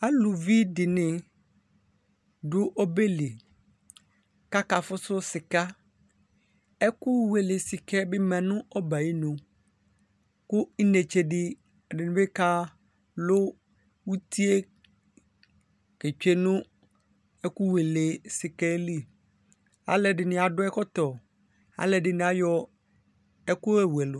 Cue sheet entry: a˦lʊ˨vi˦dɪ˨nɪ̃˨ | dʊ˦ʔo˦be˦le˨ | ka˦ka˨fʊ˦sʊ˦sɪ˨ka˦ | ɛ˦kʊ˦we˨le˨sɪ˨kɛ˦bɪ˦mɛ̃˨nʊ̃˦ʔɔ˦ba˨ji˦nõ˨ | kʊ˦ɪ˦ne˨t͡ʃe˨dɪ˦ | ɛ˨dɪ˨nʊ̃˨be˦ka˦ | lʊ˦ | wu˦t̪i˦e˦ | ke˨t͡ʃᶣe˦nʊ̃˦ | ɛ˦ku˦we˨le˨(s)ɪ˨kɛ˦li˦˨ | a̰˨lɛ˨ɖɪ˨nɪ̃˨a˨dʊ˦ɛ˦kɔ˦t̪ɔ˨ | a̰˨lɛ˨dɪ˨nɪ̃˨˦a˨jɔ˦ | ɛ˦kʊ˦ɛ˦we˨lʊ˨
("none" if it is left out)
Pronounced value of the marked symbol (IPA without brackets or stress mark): s